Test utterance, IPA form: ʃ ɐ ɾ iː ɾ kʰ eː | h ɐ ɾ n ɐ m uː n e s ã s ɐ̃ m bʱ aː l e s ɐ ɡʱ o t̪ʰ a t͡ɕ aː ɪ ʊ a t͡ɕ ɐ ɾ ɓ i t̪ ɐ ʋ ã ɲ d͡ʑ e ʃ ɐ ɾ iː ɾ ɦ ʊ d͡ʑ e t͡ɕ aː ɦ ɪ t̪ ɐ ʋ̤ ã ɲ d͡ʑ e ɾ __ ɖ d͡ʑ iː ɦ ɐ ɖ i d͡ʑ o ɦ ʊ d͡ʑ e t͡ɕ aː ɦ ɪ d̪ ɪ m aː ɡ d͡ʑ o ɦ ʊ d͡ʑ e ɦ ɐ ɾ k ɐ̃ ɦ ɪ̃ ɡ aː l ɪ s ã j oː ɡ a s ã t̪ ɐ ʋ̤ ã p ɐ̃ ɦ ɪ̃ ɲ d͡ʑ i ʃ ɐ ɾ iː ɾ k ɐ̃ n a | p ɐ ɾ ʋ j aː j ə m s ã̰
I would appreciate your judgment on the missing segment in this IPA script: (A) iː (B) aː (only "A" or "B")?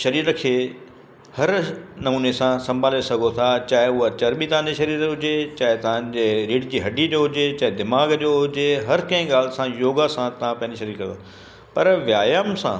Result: A